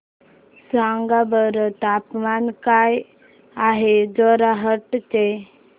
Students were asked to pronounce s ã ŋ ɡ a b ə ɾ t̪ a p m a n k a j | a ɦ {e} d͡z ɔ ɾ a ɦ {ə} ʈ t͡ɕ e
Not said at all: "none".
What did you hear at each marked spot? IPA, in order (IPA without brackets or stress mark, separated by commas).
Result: e, ə